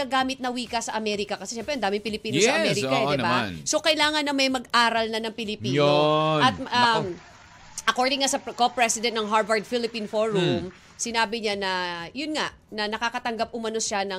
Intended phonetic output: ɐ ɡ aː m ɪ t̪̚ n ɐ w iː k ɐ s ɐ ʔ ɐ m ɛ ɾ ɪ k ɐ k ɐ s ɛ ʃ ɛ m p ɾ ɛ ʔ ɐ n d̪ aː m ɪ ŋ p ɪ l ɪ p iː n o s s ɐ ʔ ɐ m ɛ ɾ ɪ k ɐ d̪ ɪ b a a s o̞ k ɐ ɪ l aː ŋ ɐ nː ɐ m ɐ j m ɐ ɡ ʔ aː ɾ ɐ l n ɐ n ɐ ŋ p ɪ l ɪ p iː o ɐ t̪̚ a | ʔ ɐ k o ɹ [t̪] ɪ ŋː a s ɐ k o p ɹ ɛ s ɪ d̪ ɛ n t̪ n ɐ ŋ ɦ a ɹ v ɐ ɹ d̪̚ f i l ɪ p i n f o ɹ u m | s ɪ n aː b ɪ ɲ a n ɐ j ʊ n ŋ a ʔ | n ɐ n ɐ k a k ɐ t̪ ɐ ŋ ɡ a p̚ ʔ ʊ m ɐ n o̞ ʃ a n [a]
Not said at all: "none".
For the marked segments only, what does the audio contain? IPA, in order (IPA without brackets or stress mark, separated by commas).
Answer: d̪, ɐ